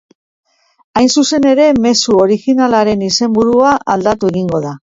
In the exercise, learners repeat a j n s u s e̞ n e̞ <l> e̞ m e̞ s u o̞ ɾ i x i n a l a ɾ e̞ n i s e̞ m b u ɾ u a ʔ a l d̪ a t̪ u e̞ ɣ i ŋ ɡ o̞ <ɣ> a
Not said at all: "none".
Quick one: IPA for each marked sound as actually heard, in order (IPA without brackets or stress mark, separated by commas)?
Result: ɾ, ð